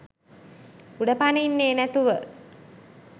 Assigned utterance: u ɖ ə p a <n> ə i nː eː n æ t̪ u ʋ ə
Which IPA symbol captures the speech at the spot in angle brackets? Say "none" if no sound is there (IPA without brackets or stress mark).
n